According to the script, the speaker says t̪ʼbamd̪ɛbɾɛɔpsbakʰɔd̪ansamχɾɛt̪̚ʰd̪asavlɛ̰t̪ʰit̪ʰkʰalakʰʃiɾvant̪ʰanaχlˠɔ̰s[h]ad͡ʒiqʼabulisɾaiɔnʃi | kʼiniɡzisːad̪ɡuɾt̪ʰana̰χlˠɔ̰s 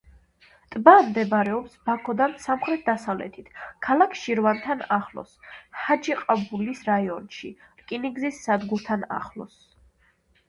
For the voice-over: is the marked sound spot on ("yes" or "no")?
yes